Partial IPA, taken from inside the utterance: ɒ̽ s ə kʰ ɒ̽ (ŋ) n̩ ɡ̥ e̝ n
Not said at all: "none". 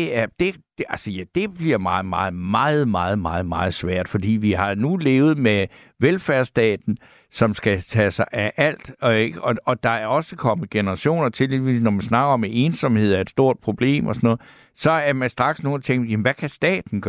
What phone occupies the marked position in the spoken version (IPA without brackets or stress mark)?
m